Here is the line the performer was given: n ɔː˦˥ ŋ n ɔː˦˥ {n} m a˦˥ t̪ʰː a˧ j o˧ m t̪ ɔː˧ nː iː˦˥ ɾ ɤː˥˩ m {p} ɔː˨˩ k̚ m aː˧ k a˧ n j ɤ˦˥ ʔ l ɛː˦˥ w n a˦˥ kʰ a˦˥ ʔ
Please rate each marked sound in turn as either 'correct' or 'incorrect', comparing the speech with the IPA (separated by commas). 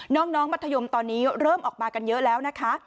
incorrect, incorrect